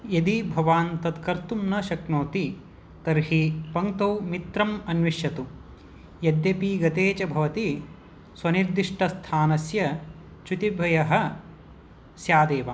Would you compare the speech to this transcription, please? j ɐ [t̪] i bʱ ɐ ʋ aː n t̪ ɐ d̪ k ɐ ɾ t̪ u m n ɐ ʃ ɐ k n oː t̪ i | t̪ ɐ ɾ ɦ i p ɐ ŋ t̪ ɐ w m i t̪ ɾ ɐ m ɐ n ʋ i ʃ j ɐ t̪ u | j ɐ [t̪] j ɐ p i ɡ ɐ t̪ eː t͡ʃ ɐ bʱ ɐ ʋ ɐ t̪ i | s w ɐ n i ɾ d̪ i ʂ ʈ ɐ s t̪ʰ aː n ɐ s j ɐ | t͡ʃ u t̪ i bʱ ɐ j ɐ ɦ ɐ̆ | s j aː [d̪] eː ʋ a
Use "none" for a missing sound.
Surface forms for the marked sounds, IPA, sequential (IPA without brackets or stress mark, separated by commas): d̪, d̪, d̪